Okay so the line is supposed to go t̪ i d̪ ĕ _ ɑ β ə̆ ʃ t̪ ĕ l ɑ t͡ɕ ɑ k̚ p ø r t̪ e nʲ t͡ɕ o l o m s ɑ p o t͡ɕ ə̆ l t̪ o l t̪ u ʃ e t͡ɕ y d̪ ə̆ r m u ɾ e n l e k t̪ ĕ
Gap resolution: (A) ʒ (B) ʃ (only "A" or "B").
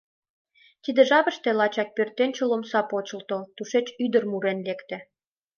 A